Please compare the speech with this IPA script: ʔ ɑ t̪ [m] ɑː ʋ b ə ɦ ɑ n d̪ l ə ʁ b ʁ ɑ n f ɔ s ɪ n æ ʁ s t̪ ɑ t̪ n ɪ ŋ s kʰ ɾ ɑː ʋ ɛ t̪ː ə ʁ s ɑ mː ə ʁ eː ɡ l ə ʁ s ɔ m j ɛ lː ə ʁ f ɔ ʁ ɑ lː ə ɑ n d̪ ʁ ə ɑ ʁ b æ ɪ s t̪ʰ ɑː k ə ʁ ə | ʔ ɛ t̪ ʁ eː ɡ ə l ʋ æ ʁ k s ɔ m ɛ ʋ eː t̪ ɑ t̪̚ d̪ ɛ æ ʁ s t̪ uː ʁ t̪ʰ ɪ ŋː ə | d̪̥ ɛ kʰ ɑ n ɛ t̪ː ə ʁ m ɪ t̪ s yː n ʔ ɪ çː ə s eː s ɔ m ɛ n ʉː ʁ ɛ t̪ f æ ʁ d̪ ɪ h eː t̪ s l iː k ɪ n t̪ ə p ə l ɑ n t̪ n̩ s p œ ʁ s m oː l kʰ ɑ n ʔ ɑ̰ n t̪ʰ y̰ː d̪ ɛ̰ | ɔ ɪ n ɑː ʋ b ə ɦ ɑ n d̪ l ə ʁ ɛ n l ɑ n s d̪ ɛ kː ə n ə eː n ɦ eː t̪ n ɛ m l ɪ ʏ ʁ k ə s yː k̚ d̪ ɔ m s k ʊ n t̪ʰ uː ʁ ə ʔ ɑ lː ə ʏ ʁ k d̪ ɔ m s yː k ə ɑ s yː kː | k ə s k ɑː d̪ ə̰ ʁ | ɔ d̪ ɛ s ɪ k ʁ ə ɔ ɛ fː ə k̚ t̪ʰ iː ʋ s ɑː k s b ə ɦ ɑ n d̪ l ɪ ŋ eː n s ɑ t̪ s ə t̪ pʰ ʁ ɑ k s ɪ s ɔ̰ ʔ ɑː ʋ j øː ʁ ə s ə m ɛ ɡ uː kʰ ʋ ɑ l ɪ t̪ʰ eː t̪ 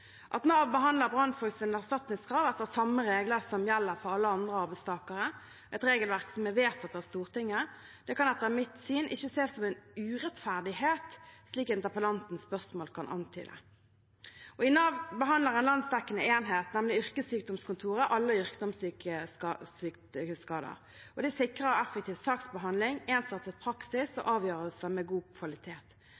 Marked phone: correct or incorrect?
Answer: incorrect